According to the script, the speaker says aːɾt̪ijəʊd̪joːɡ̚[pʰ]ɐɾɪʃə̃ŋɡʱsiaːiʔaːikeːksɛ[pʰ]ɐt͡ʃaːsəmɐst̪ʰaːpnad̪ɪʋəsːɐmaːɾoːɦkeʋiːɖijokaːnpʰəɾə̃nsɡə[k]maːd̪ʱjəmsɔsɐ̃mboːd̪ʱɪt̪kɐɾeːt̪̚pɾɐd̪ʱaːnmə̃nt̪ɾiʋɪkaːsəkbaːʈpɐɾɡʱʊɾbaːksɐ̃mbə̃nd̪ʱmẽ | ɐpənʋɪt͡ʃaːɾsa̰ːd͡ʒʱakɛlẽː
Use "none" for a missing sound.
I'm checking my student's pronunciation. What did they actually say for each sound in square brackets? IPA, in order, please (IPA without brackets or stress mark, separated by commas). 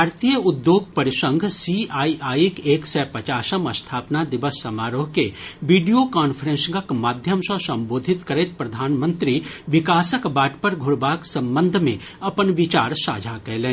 p, p, k